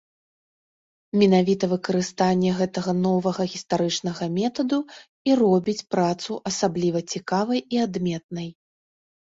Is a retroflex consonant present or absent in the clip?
present